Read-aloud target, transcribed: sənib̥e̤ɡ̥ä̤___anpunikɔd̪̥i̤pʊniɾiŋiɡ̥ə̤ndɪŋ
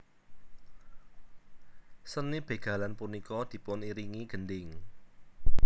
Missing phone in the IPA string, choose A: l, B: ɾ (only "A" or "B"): A